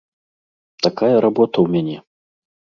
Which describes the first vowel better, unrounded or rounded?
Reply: unrounded